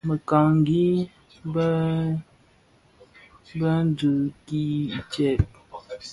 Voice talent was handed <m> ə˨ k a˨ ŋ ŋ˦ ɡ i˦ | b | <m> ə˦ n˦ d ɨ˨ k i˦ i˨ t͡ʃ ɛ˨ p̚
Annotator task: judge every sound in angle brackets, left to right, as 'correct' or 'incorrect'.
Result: correct, incorrect: b

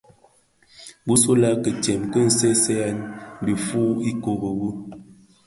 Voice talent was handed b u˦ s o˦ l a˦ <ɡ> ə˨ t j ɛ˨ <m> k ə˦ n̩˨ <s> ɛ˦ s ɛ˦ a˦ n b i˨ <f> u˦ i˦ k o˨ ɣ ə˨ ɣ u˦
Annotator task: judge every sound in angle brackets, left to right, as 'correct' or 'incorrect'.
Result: incorrect: k, correct, correct, correct

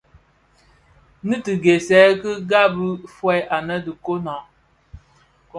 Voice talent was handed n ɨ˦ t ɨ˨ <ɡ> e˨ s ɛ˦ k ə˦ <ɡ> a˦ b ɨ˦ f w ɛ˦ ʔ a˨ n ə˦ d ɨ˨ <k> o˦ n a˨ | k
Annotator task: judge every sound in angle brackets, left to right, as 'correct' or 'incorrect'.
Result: correct, correct, correct

